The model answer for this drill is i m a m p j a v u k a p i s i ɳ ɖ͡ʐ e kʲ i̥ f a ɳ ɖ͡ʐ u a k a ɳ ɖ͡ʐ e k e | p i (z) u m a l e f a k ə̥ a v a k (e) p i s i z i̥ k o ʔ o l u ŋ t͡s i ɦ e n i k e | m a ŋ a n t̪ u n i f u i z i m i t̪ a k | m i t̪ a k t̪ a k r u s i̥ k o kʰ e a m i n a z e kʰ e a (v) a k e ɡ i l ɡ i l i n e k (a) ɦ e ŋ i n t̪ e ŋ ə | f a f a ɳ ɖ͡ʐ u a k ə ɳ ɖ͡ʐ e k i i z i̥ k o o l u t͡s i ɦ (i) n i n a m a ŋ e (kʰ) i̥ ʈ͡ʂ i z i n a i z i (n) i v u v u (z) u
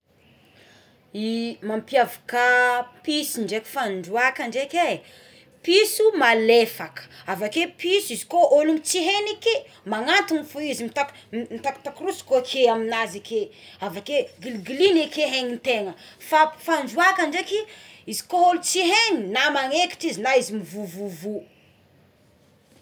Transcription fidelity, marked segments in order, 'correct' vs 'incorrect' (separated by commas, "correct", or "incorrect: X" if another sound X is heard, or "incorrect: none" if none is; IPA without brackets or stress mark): incorrect: s, correct, correct, incorrect: e, incorrect: e, incorrect: k, incorrect: m, incorrect: v